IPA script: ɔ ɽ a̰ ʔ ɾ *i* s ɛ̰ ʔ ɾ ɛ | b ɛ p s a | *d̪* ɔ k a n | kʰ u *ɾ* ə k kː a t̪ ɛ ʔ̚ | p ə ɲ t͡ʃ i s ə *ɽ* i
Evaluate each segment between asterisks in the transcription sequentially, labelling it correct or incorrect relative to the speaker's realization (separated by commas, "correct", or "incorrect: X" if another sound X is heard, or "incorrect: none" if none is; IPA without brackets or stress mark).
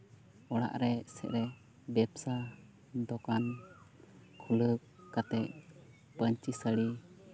incorrect: ɛ, correct, incorrect: l, correct